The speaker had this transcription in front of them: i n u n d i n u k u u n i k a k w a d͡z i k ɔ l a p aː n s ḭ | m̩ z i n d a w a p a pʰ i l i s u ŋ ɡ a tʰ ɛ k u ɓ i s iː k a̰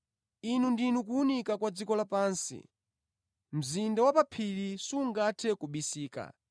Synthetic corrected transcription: i n u n d i n u k u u n i k a k w a d͡z i k ɔ l a p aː n s ḭ | m̩ z i n d a w a p a pʰ i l i s u ŋ ɡ a tʰ ɛ k u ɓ i s iː k a̰